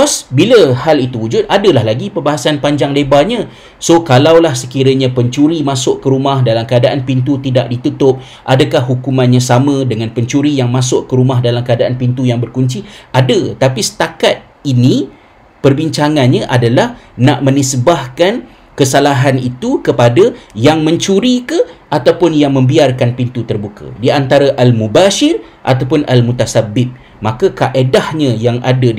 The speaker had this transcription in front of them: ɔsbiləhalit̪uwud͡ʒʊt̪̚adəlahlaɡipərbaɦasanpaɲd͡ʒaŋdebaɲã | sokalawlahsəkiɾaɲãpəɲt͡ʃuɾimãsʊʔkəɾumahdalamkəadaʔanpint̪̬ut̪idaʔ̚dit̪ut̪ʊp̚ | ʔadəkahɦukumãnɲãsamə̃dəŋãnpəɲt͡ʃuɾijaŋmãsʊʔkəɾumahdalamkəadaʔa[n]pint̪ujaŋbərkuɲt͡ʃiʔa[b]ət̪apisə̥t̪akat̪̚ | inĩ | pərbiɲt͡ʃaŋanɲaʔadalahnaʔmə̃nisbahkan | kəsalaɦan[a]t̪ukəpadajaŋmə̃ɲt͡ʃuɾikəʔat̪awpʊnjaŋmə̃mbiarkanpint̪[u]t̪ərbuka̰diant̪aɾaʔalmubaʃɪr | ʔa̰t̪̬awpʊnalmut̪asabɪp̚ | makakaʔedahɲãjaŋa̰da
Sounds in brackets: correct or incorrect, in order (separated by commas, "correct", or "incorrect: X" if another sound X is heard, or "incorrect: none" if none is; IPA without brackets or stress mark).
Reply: correct, incorrect: d, incorrect: i, correct